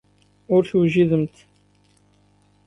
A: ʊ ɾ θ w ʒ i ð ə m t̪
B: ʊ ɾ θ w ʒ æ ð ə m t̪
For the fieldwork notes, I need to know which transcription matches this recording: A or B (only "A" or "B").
A